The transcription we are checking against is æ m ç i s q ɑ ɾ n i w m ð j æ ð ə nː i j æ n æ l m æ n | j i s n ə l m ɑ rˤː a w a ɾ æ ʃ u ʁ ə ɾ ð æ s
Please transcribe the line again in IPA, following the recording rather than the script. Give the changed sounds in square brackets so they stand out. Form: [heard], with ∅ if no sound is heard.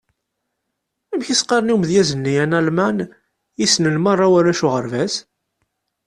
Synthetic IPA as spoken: æ m ç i s q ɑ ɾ n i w m ð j æ [z] ə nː i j æ n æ l m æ n | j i s n ə l m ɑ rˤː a w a ɾ æ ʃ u ʁ ə ɾ [v] æ s

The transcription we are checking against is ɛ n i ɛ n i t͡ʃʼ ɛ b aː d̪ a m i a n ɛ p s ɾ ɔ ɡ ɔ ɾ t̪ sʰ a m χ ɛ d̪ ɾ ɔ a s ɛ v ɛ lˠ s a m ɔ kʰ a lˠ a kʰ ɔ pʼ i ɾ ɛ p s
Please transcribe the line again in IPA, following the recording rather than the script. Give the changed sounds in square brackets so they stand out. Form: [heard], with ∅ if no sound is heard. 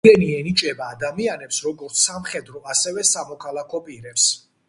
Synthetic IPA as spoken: ɛ n i ɛ n i t͡ʃʼ ɛ b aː d̪ a m i a n ɛ p s ɾ ɔ ɡ ɔ ɾ t̪ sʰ a m χ ɛ d̪ ɾ ɔ a s ɛ v ɛ [∅] s a m ɔ kʰ a lˠ a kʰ ɔ pʼ i ɾ ɛ p s

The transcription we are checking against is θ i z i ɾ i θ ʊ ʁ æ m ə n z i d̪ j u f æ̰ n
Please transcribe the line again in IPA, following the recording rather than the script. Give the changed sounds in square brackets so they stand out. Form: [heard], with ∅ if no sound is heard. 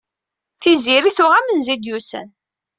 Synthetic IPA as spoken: θ i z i ɾ i θ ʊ ʁ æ m ə n z i d̪ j u [s] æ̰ n

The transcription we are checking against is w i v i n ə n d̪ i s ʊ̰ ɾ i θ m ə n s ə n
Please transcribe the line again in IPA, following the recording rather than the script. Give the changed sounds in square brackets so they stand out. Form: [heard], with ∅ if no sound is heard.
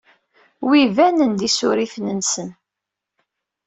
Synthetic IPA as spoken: w i v [æ] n ə n d̪ i s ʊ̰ ɾ i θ [n] ə n s ə n

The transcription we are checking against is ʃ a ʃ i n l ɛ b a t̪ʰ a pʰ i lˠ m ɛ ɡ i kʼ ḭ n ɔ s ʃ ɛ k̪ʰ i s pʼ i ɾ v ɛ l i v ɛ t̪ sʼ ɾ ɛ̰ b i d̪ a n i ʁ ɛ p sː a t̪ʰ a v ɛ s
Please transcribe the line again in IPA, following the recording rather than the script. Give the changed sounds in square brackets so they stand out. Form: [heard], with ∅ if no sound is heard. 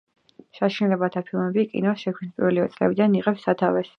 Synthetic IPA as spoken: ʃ a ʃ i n l ɛ b a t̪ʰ a pʰ i lˠ m ɛ [b] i kʼ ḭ n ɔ s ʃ ɛ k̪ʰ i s pʼ i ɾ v ɛ l i v ɛ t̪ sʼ [l] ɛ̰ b i d̪ a n i ʁ ɛ p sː a t̪ʰ a v ɛ s

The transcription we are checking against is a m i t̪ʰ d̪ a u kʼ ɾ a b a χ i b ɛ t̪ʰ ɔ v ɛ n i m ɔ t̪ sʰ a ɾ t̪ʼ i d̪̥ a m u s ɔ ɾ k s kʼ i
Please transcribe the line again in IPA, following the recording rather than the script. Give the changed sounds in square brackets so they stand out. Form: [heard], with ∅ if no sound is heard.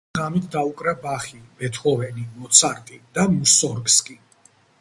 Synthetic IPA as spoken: a m i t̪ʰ d̪ a u kʼ ɾ a b a χ i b ɛ t̪ʰ ɔ v ɛ n i m ɔ t̪ sʰ a ɾ t̪ʼ i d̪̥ a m u s ɔ ɾ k s kʼ i

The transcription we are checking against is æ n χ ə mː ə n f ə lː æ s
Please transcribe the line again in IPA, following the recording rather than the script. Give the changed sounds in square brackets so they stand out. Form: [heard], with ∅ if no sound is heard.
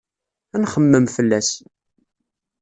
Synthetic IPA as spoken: æ n χ ə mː ə [m] f ə lː æ s

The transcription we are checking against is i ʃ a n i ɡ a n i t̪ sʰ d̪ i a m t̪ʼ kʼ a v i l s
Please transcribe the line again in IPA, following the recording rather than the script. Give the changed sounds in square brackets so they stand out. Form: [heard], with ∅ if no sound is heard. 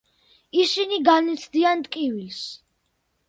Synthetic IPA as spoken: i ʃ [i] n i ɡ a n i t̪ sʰ d̪ i a [n] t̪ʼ kʼ [i] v i l s

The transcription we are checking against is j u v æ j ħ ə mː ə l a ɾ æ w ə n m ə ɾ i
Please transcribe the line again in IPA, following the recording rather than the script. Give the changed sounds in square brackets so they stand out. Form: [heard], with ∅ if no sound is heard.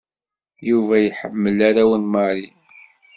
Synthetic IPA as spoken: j u v æ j ħ ə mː ə l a ɾ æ w ə n m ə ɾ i

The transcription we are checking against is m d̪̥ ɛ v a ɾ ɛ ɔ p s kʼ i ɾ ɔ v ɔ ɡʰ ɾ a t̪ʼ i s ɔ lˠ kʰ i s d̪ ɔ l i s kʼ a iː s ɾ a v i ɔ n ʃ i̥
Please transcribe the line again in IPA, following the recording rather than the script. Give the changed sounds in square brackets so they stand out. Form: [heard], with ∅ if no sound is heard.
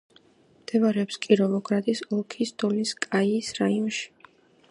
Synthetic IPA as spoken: m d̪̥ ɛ v a ɾ ɛ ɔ p s kʼ i ɾ ɔ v ɔ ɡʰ ɾ a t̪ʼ i s ɔ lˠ kʰ i s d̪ ɔ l i s kʼ a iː s ɾ a [∅] i ɔ n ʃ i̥

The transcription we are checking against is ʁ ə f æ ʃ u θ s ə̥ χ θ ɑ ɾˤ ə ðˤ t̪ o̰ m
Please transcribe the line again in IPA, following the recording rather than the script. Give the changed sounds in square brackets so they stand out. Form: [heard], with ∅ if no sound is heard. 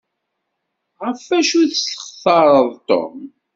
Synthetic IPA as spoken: ʁ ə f æ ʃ u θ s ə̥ χ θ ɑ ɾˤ ə ðˤ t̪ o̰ m

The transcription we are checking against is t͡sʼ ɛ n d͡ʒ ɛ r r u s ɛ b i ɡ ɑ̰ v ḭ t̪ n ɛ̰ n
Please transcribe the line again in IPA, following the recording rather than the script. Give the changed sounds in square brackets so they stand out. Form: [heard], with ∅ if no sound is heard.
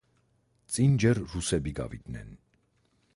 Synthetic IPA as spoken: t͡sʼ [i] n d͡ʒ ɛ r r u s ɛ b i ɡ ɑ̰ v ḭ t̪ n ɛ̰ n

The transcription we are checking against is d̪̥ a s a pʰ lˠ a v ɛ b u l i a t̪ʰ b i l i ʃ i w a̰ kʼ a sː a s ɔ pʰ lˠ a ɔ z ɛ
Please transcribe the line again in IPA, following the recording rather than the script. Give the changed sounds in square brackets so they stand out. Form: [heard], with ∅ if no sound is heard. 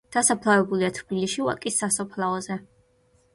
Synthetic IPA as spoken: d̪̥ a s a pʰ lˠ a v ɛ b u l i a t̪ʰ b i l i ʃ i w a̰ kʼ [i] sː a s ɔ pʰ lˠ a ɔ z ɛ

